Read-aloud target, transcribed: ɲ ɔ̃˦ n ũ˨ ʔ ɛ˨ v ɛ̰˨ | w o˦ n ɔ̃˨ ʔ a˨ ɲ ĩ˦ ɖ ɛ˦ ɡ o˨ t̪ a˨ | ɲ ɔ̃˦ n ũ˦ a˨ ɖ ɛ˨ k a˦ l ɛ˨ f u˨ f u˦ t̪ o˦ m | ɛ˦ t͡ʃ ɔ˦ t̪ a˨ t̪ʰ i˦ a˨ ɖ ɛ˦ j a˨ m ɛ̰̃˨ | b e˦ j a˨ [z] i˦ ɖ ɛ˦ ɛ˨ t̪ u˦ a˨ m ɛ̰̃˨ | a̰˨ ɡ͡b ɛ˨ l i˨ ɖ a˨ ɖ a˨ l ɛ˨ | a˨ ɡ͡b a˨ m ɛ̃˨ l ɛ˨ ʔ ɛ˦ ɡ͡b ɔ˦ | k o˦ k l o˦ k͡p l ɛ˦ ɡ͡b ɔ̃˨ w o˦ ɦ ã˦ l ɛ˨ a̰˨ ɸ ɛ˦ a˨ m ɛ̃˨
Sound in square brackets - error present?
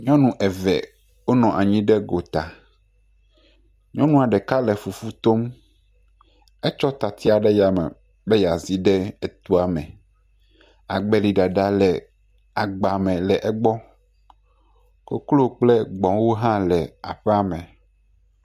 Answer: no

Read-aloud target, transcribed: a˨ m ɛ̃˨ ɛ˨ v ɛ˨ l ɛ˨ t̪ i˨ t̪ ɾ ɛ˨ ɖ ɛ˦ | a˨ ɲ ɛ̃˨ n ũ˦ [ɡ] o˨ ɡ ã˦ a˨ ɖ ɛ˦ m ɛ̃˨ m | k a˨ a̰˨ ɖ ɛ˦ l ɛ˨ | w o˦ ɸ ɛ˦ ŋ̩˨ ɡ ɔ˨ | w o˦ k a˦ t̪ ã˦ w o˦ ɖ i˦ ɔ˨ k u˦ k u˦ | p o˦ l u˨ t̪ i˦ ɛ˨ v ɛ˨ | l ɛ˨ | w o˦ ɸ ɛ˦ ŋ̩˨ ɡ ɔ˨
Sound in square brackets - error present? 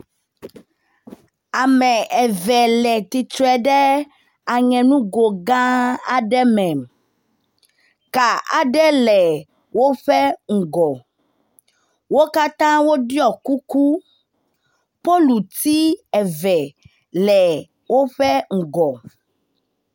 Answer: no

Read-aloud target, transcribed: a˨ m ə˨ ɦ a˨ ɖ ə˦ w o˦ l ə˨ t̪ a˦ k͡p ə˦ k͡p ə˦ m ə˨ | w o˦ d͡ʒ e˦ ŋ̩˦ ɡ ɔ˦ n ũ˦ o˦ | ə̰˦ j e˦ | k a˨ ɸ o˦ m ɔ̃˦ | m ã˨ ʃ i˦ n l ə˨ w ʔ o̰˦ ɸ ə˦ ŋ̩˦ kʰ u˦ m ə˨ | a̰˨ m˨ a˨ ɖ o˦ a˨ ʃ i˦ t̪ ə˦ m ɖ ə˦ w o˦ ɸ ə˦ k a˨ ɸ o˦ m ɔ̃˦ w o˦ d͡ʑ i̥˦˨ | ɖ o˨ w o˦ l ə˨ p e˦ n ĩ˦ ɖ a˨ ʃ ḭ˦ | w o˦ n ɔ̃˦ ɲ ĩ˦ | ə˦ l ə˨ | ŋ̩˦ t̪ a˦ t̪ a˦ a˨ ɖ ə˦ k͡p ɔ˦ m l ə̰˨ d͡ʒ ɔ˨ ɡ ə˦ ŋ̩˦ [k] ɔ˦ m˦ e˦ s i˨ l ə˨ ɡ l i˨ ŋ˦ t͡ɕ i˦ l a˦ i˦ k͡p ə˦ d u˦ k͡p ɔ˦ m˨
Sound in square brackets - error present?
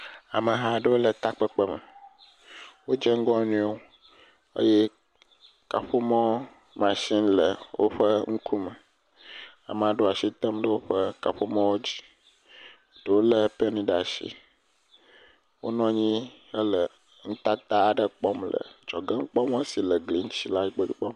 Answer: yes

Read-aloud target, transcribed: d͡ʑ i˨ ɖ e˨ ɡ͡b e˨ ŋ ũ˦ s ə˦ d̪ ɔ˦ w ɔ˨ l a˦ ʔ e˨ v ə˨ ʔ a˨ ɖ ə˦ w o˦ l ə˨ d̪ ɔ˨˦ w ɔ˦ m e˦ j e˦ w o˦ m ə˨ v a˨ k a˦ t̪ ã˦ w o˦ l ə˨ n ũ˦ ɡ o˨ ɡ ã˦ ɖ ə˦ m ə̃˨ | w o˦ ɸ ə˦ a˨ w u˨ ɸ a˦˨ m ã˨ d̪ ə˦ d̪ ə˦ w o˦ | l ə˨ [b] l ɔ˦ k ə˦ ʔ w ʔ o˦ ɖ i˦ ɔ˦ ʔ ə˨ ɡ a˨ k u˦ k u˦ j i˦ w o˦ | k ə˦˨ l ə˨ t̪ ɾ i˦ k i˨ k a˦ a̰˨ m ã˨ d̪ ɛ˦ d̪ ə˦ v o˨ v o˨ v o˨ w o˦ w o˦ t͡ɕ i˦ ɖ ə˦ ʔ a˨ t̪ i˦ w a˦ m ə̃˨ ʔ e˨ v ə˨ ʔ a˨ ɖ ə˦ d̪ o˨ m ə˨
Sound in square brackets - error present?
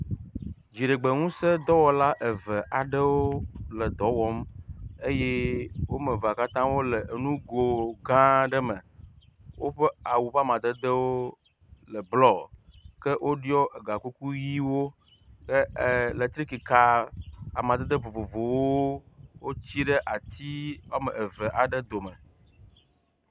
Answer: no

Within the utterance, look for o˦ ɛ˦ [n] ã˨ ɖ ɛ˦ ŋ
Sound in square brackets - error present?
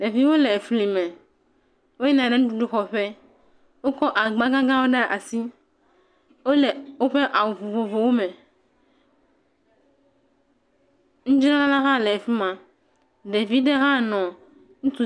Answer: no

